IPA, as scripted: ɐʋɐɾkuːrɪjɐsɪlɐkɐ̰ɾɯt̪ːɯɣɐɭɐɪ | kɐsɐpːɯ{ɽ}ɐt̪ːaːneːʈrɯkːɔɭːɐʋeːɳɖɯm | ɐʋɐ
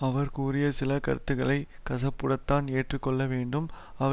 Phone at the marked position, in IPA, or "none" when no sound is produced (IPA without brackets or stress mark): ɽ